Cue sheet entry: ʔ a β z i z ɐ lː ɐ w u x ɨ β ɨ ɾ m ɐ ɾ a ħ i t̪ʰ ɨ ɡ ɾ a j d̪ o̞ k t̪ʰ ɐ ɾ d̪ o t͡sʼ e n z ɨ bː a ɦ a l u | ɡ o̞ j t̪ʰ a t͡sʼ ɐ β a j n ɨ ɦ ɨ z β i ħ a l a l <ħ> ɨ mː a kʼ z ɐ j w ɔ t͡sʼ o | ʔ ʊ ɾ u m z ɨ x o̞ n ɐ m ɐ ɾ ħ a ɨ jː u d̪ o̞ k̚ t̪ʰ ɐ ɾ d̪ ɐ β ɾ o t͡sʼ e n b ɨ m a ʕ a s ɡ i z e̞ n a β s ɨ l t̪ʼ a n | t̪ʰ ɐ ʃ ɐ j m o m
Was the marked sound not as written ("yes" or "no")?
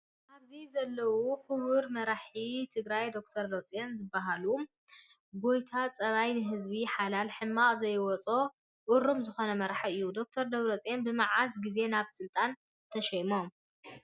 no